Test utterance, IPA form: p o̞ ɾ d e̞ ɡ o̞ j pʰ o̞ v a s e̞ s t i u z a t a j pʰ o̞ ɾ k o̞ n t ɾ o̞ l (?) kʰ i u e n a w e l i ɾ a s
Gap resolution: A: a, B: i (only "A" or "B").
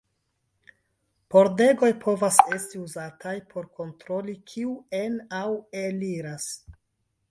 B